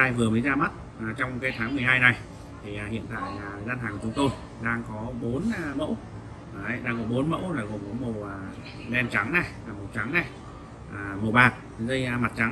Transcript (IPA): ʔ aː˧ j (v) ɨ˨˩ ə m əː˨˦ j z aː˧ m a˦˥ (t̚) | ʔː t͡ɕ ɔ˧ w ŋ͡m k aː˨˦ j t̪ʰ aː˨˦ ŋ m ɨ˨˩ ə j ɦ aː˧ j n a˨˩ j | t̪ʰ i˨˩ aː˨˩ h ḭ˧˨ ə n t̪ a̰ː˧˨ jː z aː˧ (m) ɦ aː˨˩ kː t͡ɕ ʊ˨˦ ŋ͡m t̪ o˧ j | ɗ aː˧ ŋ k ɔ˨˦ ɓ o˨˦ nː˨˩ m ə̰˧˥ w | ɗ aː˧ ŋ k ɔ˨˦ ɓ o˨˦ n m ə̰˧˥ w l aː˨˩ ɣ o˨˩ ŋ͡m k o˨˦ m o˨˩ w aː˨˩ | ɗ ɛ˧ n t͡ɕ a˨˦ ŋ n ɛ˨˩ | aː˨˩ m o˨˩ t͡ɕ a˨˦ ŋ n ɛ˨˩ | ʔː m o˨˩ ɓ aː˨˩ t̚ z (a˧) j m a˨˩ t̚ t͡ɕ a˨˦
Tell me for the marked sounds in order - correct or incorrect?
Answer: correct, correct, incorrect, incorrect

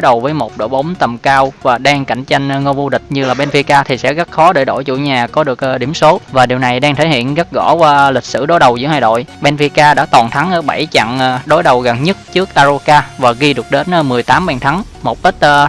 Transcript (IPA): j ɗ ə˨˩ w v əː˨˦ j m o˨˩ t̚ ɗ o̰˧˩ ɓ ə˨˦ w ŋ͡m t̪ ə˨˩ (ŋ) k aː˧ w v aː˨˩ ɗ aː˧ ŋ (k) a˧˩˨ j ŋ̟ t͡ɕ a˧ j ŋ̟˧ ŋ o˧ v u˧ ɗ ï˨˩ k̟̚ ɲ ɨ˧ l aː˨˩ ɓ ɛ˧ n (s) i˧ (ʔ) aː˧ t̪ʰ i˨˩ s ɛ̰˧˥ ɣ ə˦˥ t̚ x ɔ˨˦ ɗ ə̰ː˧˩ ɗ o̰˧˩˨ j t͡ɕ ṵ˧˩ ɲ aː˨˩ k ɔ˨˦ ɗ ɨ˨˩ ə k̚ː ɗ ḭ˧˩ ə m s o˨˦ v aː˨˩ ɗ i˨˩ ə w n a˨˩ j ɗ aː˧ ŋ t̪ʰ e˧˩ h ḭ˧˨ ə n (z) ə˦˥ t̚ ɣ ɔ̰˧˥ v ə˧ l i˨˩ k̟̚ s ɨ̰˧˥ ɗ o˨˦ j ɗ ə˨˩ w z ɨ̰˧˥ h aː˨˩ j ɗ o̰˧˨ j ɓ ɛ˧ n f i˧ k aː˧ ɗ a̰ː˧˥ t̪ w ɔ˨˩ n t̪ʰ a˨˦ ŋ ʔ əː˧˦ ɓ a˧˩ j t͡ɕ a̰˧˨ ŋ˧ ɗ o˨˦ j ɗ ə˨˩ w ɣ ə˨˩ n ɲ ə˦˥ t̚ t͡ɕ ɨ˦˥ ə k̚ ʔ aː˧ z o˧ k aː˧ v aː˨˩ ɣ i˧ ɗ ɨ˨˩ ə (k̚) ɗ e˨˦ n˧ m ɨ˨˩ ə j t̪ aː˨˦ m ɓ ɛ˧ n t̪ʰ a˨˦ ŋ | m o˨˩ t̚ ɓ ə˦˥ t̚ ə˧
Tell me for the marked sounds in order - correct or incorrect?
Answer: incorrect, correct, incorrect, incorrect, incorrect, correct

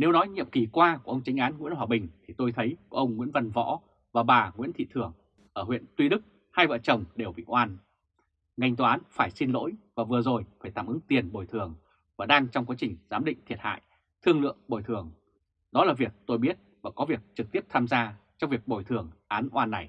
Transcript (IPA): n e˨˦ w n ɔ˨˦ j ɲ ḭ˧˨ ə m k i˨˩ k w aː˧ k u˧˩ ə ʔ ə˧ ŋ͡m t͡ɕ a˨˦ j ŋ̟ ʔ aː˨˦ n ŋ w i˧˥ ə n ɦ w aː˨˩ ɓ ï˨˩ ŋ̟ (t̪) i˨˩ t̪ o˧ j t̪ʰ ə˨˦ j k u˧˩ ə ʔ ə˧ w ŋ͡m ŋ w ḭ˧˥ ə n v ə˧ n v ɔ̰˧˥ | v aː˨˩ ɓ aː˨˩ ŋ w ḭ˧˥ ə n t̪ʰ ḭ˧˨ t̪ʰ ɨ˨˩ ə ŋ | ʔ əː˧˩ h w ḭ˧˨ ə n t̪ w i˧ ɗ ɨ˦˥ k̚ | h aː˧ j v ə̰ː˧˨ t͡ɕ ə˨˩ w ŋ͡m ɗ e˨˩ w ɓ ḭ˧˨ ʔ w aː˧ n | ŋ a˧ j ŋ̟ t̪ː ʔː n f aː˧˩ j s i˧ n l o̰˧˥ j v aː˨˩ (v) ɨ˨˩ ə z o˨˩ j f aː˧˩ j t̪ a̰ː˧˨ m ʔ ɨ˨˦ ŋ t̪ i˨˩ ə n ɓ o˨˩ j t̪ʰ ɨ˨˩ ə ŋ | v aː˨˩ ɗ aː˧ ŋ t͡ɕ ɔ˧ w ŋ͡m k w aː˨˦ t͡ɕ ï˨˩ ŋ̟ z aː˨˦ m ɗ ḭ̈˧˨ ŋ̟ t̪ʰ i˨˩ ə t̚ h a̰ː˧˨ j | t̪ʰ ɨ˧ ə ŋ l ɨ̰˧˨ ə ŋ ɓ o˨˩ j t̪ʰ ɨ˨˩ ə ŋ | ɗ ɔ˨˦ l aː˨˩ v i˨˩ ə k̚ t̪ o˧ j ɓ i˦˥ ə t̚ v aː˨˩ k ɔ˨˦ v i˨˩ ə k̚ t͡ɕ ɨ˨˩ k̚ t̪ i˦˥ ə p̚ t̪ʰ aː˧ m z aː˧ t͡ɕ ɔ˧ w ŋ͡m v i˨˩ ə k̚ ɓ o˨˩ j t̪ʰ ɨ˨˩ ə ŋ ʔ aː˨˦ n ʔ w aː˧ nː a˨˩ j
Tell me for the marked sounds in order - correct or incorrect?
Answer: incorrect, correct

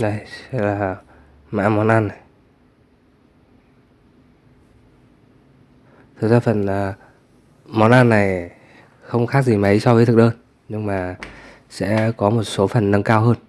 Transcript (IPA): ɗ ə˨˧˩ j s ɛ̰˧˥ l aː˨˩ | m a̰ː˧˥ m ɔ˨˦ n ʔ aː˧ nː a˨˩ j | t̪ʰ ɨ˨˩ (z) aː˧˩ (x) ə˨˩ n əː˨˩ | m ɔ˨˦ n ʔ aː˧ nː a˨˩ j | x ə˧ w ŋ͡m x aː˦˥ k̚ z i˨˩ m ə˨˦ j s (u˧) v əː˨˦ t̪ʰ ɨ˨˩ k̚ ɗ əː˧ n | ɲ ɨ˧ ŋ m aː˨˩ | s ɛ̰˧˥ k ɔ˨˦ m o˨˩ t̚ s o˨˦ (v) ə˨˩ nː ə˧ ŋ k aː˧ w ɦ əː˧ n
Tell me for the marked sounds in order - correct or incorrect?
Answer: correct, incorrect, incorrect, incorrect

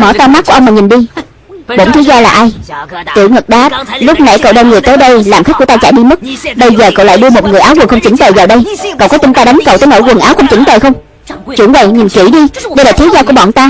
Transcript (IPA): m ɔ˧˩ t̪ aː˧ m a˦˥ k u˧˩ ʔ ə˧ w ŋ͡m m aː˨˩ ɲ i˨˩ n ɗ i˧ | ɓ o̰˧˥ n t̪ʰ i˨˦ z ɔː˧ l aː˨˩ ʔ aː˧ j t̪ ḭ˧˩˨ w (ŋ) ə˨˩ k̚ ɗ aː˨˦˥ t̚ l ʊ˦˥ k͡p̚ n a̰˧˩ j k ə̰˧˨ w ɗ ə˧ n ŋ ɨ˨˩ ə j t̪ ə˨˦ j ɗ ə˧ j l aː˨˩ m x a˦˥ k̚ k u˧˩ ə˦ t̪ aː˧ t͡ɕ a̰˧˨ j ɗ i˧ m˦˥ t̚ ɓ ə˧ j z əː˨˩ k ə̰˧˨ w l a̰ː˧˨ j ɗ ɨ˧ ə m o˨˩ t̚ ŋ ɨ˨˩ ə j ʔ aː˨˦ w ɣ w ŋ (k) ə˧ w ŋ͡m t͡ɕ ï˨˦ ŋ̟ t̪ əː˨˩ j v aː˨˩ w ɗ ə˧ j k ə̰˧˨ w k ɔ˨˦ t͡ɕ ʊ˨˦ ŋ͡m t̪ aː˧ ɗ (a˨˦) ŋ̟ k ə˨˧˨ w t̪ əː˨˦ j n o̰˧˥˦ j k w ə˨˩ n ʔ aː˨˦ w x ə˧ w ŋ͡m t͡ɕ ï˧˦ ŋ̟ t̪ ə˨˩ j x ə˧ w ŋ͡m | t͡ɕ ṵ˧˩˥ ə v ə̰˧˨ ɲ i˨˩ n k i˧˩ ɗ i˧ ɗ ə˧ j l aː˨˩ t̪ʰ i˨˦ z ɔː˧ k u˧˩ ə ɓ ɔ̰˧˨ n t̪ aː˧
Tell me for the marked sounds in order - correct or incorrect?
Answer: correct, incorrect, correct

